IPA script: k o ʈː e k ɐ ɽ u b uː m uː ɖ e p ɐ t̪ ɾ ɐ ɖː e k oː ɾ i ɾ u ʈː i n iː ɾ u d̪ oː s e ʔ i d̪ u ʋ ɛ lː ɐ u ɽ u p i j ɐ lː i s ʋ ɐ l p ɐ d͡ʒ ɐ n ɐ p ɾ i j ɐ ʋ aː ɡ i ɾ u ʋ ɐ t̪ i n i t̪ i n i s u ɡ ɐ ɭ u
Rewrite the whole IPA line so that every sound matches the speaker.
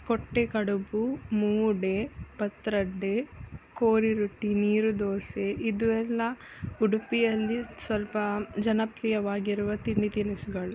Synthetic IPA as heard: k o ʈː e k ɐ ɽ u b u m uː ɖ e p ɐ t̪ ɾ ɐ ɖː e k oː ɾ i ɾ u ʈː i n iː ɾ u d̪ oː s e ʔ i d̪ u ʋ ɛ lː ɐ u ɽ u p i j ɐ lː i s ʋ ɐ l p ɐ d͡ʒ ɐ n ɐ p ɾ i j ɐ ʋ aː ɡ i ɾ u ʋ ɐ t̪ i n i t̪ i n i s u ɡ ɐ ɭ u